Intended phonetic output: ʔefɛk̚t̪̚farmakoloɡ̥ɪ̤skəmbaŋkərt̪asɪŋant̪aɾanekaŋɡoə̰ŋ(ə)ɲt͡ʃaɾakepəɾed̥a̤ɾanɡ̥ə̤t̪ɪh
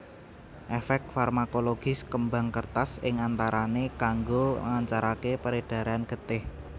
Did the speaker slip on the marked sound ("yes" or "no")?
yes